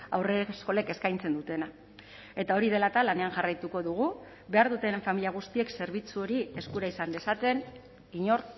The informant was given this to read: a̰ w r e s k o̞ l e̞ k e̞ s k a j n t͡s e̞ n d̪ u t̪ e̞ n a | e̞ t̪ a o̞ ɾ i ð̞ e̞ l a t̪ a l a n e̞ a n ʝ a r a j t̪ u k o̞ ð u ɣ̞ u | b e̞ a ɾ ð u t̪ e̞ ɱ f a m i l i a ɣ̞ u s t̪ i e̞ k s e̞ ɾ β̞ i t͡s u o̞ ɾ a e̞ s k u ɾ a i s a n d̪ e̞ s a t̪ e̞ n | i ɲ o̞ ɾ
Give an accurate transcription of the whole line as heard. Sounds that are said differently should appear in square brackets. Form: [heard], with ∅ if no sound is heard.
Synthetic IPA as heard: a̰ w r e s k o̞ l e̞ k e̞ s k a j n t͡s e̞ n d̪ u t̪ e̞ n a | e̞ t̪ a o̞ ɾ i ð̞ e̞ l a t̪ a l a n e̞ a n ʝ a r a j t̪ u k o̞ ð u ɣ̞ u | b e̞ a ɾ ð u t̪ e̞ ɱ f a m i l i a ɣ̞ u s t̪ i e̞ k s e̞ ɾ β̞ i t͡s u o̞ ɾ [i] e̞ s k u ɾ a i s a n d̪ e̞ s a t̪ e̞ n | i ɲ o̞ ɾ